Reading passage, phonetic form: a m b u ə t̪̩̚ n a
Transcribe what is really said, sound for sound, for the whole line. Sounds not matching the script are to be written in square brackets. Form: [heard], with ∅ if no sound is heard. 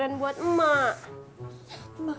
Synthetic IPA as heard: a [n] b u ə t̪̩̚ [m] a